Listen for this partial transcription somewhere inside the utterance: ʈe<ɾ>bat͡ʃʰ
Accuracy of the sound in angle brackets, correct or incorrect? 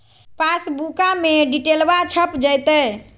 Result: incorrect: l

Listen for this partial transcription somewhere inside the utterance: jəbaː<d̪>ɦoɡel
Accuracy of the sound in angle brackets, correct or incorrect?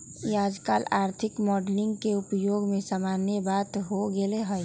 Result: incorrect: t̪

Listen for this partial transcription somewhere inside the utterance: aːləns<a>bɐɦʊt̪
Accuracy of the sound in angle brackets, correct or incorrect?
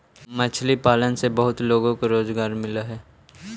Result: incorrect: e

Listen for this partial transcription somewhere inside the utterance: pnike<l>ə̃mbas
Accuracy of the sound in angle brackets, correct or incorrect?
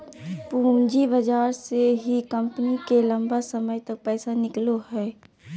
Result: correct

